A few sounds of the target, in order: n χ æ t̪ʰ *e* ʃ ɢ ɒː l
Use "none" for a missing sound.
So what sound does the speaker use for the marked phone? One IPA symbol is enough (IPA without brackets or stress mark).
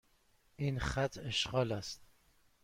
e